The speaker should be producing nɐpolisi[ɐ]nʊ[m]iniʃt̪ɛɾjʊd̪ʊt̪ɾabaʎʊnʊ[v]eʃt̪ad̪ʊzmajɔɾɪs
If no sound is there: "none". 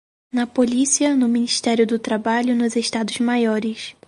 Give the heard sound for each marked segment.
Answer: ɐ, m, z

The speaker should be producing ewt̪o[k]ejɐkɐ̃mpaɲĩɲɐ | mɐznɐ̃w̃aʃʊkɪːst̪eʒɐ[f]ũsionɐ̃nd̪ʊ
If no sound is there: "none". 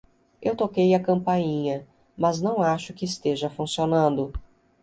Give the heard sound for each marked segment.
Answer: k, f

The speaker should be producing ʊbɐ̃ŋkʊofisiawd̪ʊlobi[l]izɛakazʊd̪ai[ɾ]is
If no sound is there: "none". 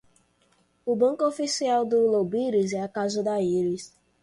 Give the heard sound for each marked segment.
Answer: ɾ, ɾ

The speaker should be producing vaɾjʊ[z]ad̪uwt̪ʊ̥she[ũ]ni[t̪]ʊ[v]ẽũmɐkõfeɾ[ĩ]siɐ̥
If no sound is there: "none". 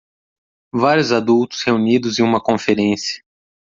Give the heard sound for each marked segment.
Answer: z, u, d̪, z, ẽ

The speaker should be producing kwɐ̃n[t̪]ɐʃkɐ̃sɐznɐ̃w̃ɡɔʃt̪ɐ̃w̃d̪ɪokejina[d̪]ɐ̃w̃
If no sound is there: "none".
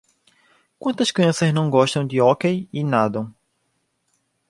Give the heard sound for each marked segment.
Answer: t̪, d̪

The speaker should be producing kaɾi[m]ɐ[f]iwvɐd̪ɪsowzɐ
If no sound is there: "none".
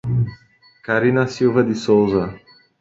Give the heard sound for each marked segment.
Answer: n, s

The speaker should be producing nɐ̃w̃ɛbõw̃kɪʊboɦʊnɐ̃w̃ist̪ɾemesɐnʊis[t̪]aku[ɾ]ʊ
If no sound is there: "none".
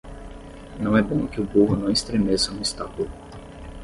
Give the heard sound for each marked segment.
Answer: t̪, l

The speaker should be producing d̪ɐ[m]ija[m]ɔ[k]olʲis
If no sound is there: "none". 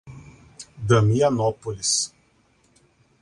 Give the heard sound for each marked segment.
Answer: m, n, p

